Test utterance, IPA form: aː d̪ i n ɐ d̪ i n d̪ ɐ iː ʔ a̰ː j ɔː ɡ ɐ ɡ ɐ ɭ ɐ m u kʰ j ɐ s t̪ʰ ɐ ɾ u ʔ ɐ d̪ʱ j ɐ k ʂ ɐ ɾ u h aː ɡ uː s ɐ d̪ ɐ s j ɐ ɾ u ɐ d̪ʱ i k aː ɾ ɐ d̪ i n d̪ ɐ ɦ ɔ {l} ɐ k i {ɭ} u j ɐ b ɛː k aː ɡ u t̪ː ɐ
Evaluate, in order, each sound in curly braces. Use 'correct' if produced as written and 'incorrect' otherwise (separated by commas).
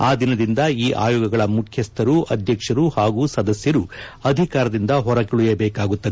incorrect, correct